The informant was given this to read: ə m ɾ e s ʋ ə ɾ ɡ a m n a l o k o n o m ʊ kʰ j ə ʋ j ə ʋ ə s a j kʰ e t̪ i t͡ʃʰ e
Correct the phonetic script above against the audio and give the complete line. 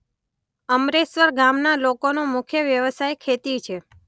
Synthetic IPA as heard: ə m ɾ e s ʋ ə ɾ ɡ a m n a l o k o n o m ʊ kʰ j ə ʋ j ə ʋ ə s a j kʰ e t̪ i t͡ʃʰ e